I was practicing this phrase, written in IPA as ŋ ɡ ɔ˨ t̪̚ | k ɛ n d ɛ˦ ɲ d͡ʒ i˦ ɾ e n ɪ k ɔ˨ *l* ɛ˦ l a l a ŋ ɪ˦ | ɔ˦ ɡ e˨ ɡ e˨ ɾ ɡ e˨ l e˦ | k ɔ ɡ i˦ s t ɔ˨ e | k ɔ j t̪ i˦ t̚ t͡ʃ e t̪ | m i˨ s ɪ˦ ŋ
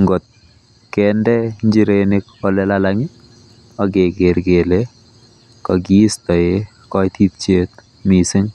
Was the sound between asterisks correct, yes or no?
yes